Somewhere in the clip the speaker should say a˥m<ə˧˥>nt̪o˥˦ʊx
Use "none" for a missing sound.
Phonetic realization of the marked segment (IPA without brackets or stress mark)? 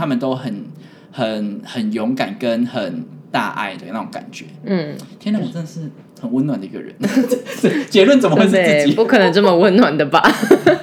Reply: ə˨